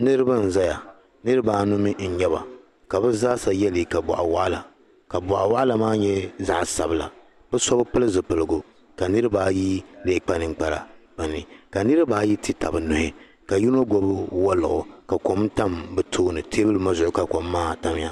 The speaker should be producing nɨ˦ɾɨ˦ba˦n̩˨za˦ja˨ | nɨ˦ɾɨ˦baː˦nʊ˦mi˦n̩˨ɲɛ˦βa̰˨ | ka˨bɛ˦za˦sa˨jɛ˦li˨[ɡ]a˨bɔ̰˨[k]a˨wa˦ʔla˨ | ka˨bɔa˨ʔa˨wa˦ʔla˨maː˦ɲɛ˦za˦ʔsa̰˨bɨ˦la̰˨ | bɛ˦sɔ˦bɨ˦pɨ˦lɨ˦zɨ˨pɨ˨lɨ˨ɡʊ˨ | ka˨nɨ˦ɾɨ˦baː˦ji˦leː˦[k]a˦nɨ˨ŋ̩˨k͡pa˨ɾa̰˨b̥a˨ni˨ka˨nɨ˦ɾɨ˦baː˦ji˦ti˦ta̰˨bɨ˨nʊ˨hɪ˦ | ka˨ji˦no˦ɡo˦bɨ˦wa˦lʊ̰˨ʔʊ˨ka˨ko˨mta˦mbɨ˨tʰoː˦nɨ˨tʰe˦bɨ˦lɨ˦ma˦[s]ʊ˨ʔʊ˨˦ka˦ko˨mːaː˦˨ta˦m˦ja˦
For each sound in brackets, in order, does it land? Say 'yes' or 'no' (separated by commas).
no, no, no, no